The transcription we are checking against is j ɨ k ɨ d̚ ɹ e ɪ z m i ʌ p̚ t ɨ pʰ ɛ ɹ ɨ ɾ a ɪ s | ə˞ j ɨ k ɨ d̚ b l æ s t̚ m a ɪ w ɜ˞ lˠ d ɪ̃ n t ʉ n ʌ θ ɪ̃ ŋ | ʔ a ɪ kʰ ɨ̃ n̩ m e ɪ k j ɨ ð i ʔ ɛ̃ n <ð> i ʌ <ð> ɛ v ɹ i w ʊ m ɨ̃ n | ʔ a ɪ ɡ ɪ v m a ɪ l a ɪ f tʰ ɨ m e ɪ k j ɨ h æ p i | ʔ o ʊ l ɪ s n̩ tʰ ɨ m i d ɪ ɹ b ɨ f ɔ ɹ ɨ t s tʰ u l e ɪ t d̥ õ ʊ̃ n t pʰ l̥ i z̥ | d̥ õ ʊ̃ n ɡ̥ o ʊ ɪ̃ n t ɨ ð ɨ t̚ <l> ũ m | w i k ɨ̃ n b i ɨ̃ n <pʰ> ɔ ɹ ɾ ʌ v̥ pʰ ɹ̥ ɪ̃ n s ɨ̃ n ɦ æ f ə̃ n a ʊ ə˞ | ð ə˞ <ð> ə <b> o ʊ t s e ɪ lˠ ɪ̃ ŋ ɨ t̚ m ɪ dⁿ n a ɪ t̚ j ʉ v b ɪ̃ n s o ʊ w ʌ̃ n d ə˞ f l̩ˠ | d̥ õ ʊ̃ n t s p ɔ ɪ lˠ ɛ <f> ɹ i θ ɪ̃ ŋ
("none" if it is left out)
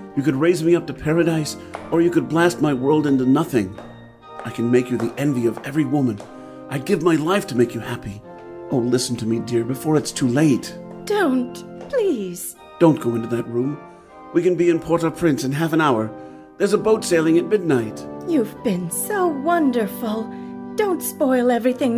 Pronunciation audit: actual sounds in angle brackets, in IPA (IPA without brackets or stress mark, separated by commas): v, v, ɹ, pʰ, z, b, v